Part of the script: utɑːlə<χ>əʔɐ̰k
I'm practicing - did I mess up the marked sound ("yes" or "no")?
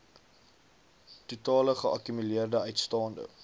no